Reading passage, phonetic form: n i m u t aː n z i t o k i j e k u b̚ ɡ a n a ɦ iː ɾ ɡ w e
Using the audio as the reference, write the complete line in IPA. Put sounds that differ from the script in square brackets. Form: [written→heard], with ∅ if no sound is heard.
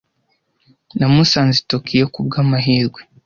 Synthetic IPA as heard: n [i→a] m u [t→s] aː n z i t o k i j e k u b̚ ɡ a [n→m] a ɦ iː ɾ ɡ w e